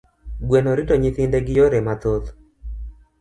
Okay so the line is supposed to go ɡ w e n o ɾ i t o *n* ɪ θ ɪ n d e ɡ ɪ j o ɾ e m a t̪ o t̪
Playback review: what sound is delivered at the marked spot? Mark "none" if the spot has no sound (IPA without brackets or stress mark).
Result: ɲ